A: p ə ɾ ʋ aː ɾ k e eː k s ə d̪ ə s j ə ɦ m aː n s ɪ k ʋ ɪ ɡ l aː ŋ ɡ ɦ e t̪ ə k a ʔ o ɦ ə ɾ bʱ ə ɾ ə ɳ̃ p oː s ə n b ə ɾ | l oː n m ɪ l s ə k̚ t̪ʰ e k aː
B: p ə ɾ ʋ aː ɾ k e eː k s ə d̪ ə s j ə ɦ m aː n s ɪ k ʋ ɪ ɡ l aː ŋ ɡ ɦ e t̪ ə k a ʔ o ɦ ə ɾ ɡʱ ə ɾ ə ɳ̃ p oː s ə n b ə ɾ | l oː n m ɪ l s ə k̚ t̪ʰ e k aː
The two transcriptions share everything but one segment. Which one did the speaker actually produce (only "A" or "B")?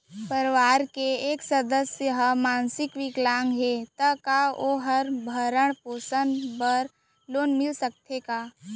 A